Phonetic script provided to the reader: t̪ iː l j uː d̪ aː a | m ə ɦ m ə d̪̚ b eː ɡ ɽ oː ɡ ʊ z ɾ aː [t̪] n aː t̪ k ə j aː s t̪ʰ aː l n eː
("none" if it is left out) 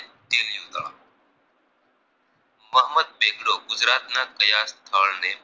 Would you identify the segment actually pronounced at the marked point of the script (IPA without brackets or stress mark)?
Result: t̪